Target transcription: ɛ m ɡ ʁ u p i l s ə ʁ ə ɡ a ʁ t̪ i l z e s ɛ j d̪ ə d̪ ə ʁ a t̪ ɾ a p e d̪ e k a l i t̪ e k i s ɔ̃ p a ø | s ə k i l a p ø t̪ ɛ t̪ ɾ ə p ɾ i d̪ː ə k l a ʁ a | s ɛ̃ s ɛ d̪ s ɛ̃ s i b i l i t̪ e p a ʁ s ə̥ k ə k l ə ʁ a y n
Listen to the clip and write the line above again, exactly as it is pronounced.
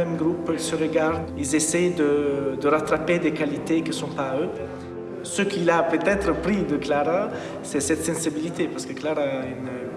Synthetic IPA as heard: ɛ m ɡ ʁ u p i l s ə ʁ ə ɡ a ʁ d̪ i l z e s ɛ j d̪ ə d̪ ə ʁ a t̪ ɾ a p e d̪ e k a l i t̪ e k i s ɔ̃ p a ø | s ə k i l a p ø t̪ ɛ t̪ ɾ ə p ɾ i d̪ ə k l a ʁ a | s ɛ s ɛ t̪ s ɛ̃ s i b i l i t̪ e p a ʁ s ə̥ k ə k l a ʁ a y n